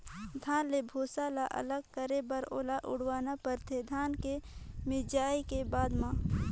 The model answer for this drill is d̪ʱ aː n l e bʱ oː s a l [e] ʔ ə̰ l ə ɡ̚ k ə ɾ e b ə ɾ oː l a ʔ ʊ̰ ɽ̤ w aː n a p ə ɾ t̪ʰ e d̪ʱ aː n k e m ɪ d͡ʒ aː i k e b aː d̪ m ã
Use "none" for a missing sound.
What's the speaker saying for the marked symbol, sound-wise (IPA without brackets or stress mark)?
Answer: a